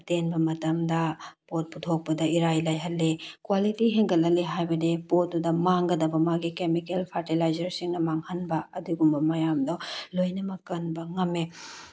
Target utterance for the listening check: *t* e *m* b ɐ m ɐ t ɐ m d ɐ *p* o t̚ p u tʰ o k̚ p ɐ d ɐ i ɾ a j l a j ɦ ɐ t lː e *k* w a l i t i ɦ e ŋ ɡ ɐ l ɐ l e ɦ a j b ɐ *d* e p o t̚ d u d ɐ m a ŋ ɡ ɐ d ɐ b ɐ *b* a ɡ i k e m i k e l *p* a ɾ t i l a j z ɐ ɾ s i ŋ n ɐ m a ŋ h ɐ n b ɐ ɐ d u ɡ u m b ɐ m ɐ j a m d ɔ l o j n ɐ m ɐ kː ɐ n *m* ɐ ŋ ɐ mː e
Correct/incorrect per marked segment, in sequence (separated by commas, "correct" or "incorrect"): correct, incorrect, correct, correct, correct, incorrect, incorrect, incorrect